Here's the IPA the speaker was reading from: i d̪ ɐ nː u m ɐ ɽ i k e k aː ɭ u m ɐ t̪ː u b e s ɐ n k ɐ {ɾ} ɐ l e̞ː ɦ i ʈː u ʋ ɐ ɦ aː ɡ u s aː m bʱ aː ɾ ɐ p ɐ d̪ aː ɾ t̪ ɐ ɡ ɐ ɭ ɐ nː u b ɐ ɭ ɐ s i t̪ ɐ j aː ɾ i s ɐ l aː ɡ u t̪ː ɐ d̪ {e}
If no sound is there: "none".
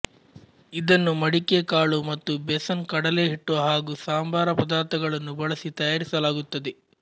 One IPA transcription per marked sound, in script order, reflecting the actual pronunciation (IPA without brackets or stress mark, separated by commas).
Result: ɽ, e